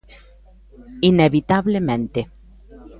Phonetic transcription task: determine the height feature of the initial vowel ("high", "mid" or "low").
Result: high